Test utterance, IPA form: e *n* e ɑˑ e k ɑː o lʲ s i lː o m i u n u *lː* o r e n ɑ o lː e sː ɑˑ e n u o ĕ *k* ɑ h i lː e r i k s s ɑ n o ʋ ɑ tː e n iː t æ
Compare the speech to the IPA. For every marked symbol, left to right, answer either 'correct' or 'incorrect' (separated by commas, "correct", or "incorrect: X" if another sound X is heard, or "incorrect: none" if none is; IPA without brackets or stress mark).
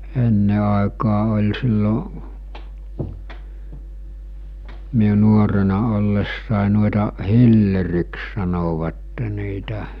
incorrect: nː, incorrect: none, incorrect: t